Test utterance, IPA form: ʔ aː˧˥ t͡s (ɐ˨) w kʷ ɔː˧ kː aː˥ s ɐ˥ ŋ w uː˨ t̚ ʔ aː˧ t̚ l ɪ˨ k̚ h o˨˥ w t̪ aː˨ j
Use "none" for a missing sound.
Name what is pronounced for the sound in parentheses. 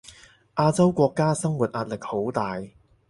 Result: ɐ˥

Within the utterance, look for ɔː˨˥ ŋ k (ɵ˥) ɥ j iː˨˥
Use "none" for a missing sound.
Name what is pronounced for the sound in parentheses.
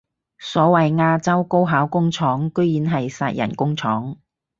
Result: ɵ˥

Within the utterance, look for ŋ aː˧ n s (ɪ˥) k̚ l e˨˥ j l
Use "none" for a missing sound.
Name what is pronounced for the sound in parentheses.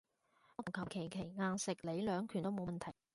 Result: ɪ˨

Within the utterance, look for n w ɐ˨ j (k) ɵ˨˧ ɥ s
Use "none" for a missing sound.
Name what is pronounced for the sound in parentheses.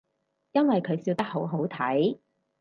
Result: kʰ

